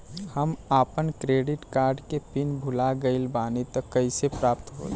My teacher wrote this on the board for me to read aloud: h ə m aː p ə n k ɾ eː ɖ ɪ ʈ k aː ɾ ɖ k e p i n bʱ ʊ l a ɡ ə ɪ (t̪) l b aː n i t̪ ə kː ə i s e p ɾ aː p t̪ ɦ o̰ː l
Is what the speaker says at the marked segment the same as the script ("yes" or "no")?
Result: no